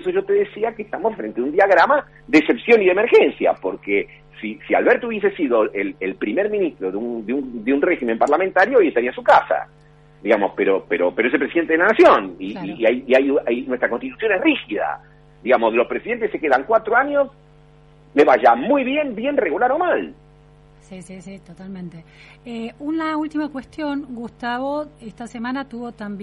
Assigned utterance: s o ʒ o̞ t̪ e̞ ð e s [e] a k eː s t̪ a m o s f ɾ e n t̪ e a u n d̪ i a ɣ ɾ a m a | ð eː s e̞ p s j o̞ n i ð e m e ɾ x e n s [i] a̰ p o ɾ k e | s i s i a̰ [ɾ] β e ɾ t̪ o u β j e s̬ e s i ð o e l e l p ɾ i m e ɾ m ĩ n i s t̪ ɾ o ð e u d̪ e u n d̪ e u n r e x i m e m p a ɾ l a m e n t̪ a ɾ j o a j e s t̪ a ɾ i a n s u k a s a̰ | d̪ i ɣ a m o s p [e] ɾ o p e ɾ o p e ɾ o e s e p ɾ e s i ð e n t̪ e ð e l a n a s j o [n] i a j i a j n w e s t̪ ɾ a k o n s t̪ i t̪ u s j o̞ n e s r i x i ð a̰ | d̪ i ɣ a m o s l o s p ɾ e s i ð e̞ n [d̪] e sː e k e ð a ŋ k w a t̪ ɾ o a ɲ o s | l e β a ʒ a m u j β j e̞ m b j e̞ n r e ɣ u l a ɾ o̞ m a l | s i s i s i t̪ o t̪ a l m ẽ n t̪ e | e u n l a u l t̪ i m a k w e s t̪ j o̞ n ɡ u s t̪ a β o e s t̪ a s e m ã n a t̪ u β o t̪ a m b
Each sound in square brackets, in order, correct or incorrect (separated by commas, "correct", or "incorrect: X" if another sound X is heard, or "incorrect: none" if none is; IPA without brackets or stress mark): incorrect: i, incorrect: j, incorrect: l, correct, correct, incorrect: t̪